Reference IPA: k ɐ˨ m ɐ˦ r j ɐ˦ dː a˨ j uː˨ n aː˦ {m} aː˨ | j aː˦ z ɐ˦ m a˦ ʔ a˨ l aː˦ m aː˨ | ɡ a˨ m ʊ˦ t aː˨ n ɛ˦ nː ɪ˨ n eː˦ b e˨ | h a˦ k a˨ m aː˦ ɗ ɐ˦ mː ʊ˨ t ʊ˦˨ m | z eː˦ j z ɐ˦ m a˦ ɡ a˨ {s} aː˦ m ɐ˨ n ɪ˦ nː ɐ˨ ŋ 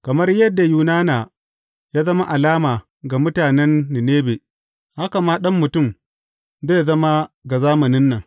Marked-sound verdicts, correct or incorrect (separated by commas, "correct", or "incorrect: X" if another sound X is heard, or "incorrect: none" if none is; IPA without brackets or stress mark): incorrect: n, incorrect: z